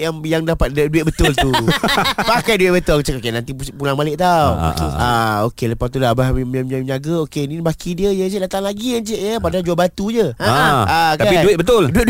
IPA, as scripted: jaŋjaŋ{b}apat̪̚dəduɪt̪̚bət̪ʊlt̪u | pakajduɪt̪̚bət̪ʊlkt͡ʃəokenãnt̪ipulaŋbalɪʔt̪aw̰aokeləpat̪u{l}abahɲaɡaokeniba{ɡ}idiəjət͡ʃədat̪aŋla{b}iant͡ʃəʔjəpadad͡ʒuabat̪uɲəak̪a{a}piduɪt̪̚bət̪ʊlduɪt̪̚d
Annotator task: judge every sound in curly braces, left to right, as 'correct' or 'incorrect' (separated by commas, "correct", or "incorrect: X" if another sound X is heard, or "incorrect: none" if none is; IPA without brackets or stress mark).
incorrect: d, correct, incorrect: k, incorrect: ɡ, correct